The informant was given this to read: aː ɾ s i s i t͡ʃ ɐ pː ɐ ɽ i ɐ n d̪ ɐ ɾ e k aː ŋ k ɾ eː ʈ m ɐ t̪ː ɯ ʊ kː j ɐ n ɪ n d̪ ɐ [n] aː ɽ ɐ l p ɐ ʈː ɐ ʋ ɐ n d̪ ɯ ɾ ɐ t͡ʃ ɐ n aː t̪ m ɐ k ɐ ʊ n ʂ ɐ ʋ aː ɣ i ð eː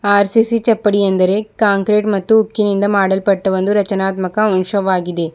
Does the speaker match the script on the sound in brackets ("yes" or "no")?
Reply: no